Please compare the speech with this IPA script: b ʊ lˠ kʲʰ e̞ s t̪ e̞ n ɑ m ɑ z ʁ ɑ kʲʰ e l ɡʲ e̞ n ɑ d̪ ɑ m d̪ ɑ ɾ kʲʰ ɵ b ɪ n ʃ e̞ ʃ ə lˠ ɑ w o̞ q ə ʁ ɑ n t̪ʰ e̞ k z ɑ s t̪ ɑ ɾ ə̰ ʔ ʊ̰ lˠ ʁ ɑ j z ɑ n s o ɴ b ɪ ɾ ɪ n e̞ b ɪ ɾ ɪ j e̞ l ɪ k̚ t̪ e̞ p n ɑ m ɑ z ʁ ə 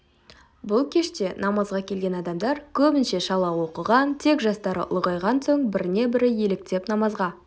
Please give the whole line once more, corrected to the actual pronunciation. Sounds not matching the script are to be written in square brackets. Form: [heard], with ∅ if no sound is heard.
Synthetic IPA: b ʊ lˠ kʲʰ e̞ [ʃ] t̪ e̞ n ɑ m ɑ z ʁ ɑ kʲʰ e l ɡʲ e̞ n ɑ d̪ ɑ m d̪ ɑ ɾ kʲʰ ɵ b ɪ n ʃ e̞ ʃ [ɑ] lˠ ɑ w o̞ q ə ʁ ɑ n t̪ʰ e̞ k [ʒ] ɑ s t̪ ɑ ɾ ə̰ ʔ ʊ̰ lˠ ʁ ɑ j [ʁ] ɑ n s o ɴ b ɪ ɾ ɪ n e̞ b ɪ ɾ ɪ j e̞ l ɪ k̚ t̪ e̞ p n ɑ m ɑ z ʁ [ɑ]